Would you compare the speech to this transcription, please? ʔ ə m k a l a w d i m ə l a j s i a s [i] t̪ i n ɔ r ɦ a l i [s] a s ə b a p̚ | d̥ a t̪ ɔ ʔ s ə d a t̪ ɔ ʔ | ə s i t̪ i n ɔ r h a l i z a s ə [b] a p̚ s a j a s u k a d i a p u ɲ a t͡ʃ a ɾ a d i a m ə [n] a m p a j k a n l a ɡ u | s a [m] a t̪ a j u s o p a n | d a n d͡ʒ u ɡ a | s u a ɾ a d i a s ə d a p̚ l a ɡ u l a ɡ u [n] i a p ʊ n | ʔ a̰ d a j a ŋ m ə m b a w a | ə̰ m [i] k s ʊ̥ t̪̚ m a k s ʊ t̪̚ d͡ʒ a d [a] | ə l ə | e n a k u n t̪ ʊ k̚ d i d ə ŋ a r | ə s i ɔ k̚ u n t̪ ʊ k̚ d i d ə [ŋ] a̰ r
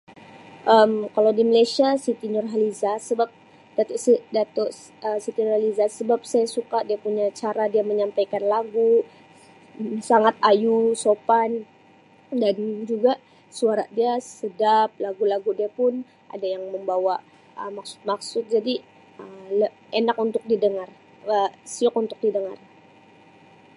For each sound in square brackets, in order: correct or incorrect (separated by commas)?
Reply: correct, incorrect, correct, incorrect, incorrect, incorrect, incorrect, incorrect, correct